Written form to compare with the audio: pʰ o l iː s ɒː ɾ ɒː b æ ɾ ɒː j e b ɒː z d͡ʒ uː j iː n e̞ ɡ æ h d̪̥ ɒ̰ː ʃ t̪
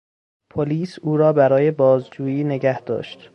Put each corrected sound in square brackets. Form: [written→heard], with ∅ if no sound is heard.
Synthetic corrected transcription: pʰ o l iː s [ɒː→uː] ɾ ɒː b æ ɾ ɒː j e b ɒː z d͡ʒ uː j iː n e̞ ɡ æ h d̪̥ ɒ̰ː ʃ t̪